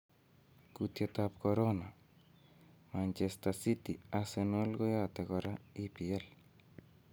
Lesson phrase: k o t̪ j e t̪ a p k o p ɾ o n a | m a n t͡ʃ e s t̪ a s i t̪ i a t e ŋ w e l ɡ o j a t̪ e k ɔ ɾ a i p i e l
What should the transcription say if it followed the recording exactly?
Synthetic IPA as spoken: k u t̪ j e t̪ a p k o ɾ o n a | m a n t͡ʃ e s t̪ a s i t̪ i a s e n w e l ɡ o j a t̪ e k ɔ ɾ a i p i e l